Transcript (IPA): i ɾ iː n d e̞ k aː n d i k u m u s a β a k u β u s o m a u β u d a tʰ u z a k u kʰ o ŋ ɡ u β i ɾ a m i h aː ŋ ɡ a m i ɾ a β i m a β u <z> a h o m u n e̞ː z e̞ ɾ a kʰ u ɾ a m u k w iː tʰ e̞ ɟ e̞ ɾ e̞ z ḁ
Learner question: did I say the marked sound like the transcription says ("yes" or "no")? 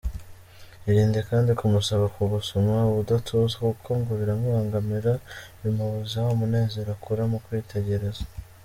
yes